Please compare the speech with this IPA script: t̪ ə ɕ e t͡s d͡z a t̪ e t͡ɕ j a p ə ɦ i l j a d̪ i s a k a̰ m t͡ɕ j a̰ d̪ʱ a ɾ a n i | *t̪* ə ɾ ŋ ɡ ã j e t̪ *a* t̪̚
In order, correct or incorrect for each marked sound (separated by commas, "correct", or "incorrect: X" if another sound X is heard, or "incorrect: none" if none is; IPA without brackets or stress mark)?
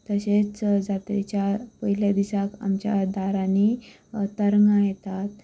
correct, correct